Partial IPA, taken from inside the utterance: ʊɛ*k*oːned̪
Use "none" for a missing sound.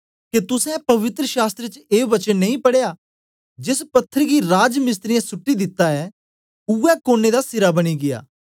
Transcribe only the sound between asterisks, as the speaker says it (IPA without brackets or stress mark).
k